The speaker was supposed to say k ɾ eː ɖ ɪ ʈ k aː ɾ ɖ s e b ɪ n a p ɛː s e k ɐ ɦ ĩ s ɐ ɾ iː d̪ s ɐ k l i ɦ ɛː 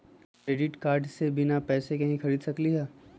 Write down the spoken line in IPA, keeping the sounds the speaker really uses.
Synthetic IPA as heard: k ɾ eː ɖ ɪ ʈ k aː ɾ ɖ s e b ɪ n a p ɛː s e k ɐ ɦ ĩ x ɐ ɾ iː d̪ s ɐ k l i ɦ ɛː